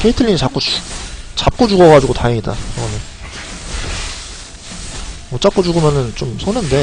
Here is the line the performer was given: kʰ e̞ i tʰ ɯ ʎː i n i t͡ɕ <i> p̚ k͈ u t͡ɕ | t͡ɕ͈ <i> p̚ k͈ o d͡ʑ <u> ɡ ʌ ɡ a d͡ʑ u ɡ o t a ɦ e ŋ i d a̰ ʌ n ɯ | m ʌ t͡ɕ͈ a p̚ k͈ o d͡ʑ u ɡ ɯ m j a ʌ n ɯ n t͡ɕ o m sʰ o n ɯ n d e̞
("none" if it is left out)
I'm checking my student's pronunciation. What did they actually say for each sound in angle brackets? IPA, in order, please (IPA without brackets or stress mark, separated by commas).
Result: a, a, u